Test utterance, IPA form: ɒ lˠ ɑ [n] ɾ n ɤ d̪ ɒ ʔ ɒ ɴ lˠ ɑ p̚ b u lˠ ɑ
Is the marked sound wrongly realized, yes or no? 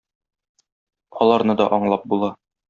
yes